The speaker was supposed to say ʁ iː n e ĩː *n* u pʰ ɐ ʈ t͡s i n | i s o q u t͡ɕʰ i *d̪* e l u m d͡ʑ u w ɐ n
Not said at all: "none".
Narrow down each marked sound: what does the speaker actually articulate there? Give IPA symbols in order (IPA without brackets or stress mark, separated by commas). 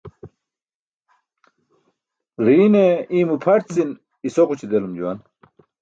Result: m, d̪